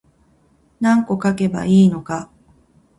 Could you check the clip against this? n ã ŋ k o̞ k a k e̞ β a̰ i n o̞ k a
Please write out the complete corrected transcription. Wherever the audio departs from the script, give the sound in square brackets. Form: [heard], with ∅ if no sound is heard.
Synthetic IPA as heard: n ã ŋ k o̞ k a k e̞ [b] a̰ [iː] n o̞ k a